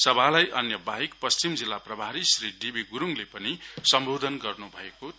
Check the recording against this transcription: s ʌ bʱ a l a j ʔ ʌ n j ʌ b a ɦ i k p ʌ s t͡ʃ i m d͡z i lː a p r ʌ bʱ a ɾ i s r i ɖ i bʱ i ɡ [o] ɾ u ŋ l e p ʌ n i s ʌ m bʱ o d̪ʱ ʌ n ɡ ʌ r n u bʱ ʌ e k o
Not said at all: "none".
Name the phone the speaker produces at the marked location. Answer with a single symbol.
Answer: u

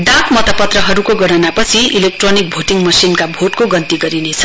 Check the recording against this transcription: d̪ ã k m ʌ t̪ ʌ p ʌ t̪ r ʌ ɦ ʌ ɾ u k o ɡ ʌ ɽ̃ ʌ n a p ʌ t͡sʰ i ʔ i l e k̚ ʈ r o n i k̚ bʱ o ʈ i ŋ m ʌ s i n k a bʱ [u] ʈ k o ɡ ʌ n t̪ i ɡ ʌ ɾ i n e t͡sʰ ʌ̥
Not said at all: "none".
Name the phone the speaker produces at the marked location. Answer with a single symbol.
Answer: o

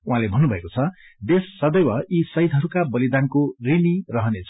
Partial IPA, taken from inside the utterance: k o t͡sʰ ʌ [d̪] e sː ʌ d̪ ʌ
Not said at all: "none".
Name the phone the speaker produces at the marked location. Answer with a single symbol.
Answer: d̪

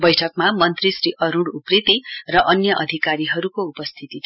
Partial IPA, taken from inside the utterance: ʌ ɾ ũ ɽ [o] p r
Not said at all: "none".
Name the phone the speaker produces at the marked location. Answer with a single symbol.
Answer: u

